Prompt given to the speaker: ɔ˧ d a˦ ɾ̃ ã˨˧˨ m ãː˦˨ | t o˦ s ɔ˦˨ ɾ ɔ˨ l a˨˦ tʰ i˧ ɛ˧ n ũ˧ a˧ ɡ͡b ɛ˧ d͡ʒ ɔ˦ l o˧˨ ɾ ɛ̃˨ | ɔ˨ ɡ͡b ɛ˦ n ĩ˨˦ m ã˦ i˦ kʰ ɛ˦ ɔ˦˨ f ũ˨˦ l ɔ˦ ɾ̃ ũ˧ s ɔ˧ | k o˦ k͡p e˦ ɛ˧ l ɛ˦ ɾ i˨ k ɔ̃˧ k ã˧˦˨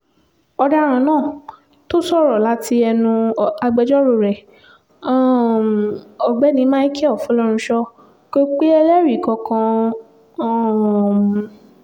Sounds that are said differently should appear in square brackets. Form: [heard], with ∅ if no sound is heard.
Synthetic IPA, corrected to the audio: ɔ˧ d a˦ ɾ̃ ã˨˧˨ [n] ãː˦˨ | t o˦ s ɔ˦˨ ɾ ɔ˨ l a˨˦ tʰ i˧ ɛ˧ n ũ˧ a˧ ɡ͡b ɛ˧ d͡ʒ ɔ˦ [ɾ] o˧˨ ɾ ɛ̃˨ | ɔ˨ ɡ͡b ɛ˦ n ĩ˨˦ m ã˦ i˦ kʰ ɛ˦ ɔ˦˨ f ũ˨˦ l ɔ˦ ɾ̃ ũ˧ [ʃ] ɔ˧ | k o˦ k͡p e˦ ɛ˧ l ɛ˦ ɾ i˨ k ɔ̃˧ k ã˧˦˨